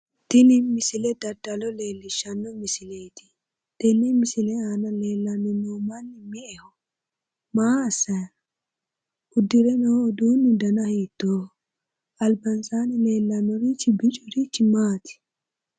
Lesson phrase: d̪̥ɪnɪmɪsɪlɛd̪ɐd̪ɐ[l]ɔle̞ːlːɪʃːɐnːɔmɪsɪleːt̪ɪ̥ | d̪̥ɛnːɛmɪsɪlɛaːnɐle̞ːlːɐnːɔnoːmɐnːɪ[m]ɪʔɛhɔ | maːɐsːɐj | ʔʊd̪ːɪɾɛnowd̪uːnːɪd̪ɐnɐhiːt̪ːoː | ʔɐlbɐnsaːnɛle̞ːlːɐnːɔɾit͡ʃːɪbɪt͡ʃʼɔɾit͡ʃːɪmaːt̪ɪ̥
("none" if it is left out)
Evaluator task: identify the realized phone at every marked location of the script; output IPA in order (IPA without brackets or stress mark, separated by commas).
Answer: l, m